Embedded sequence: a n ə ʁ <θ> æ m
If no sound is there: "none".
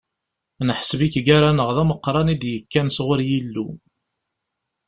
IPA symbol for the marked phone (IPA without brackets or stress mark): ð